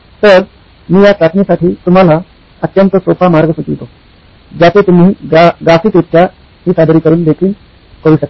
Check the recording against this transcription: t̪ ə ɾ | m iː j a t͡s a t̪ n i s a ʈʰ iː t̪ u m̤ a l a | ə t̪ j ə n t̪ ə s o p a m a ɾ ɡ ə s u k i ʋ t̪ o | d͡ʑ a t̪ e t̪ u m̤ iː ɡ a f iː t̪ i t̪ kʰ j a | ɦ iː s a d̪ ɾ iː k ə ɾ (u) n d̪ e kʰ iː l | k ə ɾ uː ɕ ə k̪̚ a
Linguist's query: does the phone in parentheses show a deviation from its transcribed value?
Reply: yes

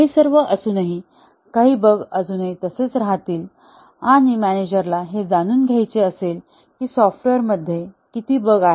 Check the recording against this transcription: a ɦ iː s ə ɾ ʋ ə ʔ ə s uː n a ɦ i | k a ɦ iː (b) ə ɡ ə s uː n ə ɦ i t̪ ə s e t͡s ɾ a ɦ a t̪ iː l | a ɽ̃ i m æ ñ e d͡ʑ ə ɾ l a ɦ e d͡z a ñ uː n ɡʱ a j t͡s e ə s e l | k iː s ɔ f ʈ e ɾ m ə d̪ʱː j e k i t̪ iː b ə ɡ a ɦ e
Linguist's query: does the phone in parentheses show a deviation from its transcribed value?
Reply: no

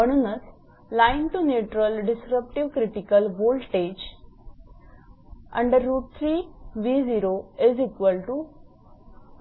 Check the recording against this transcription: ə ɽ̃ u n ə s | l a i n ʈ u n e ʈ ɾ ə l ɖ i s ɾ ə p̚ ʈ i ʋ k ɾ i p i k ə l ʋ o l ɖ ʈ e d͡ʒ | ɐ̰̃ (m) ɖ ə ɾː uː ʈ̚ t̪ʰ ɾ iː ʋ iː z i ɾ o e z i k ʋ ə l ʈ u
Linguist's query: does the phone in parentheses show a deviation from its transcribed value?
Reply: yes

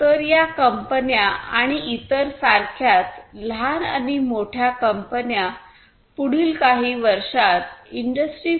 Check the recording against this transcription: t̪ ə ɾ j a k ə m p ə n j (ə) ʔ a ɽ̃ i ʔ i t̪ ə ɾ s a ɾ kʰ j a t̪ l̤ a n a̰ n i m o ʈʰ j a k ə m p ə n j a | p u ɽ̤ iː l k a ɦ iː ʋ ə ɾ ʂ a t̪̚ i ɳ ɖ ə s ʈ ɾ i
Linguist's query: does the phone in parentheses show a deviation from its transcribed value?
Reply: yes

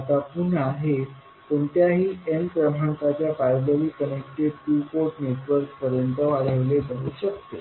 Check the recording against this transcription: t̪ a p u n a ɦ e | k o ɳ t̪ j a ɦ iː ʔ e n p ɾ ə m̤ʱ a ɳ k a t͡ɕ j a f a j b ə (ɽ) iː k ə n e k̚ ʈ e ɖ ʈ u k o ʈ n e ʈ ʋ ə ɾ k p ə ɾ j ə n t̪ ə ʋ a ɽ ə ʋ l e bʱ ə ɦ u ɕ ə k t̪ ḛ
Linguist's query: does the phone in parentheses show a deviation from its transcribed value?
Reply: yes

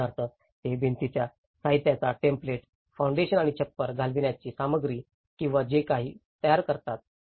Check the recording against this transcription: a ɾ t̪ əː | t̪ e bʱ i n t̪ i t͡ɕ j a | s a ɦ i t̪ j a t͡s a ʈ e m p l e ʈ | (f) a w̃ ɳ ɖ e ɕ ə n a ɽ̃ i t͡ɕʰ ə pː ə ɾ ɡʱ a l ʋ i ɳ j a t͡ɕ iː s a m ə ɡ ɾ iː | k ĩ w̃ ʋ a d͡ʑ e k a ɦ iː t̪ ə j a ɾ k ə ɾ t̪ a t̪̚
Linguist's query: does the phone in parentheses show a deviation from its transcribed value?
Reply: no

